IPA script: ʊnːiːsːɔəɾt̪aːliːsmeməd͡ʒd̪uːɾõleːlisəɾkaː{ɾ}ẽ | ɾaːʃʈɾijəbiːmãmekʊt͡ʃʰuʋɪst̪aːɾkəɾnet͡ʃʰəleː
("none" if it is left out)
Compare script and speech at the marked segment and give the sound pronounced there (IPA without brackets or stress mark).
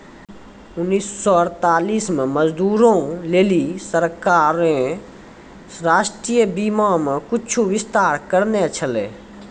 ɾ